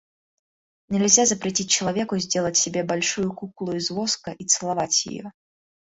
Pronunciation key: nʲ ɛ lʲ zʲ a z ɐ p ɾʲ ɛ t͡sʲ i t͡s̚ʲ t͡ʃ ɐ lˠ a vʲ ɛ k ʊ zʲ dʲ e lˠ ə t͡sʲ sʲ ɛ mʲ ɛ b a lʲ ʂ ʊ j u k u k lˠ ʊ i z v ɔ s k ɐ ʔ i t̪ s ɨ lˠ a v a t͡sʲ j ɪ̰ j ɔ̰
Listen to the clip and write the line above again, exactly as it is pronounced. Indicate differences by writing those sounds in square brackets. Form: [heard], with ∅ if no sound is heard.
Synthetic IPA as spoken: nʲ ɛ lʲ zʲ a z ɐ p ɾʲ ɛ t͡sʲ i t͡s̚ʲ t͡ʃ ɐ lˠ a vʲ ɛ k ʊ zʲ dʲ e lˠ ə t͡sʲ sʲ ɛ [bʲ] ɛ b a lʲ ʂ [u] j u k u k lˠ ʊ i z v ɔ s k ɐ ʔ i t̪ s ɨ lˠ a v a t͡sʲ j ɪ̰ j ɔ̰